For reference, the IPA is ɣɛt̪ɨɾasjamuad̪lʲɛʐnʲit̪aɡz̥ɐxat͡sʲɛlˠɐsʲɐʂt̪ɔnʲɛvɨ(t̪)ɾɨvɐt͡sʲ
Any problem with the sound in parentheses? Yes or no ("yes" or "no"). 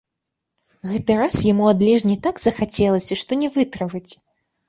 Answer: no